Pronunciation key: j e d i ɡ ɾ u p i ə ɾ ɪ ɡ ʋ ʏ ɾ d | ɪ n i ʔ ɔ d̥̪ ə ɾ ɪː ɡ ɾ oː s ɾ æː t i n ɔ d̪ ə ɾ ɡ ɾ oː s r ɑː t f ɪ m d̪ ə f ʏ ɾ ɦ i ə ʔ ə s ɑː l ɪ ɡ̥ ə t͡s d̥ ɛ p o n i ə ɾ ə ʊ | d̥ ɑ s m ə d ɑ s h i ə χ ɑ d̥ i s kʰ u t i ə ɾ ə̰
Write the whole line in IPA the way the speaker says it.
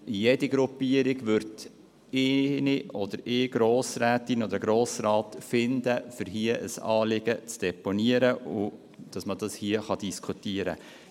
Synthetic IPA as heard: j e d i ɡ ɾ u p i ə ɾ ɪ ɡ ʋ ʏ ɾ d | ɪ n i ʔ ɔ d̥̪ ə ɾ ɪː ɡ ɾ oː s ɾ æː t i n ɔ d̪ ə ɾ ɡ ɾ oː s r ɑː t f ɪ n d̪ ə f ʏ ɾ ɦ i ə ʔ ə s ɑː l ɪ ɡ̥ ə t͡s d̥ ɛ p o n i ə ɾ ə ʊ | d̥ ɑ s m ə d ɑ s h i ə χ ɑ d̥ i s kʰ u t i ə ɾ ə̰